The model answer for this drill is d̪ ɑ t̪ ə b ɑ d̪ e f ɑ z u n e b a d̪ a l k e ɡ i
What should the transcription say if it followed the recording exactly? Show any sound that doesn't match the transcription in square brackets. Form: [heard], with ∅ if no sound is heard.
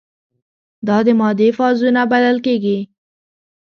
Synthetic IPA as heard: d̪ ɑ [d̪] ə [m] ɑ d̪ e f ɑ z u n [a] b a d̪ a l k e ɡ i